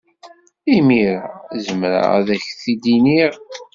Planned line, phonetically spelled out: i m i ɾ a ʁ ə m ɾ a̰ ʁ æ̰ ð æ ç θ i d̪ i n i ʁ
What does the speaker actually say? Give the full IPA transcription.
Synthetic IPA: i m i ɾ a z ə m ɾ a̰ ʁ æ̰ ð æ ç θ i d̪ i n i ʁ